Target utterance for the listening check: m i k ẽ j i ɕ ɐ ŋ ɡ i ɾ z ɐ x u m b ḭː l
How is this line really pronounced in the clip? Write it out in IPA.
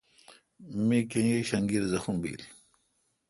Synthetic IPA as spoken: m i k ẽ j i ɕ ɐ ŋ ɡ i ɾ z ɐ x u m b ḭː l